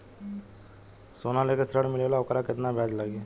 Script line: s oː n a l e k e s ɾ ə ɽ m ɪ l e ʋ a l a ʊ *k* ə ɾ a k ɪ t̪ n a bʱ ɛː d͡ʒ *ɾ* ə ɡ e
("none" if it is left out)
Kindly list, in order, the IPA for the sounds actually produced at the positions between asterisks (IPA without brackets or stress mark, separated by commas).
k, l